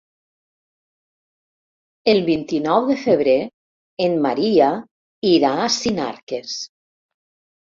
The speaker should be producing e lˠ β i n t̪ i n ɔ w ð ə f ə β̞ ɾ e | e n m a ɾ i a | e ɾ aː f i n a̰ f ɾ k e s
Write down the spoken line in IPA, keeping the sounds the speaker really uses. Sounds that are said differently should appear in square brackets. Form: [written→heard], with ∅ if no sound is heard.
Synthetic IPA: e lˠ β i n t̪ i n ɔ w ð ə f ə β̞ ɾ e | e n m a ɾ i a | [e→i] ɾ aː [f→s] i n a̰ [f→∅] ɾ k e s